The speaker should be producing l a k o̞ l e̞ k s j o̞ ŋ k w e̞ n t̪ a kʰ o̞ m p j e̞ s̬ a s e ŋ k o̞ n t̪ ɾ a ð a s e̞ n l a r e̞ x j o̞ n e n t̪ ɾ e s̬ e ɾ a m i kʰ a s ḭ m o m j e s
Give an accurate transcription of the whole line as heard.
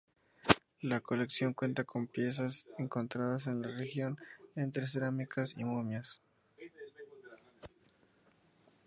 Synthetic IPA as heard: l a k o̞ l e̞ k s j o̞ ŋ k w e̞ n t̪ a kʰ o̞ m p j e̞ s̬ a s e ŋ k o̞ n t̪ ɾ a ð a s e̞ n l a r e̞ x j o̞ n e n t̪ ɾ e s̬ e ɾ a m i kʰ a s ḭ m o m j a s